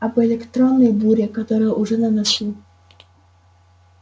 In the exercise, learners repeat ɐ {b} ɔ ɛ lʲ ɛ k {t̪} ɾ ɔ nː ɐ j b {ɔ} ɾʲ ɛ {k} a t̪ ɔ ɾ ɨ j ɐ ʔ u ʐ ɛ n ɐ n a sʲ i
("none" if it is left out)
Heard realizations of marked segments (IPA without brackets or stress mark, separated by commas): b, t̪, u, k